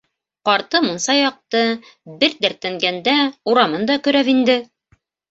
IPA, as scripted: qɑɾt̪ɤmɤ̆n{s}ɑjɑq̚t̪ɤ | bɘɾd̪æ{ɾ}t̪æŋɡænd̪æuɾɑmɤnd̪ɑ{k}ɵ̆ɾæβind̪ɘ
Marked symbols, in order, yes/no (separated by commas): yes, yes, yes